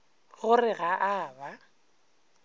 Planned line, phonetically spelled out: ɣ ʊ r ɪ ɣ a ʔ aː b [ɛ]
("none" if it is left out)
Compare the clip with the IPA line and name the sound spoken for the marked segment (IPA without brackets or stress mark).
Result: a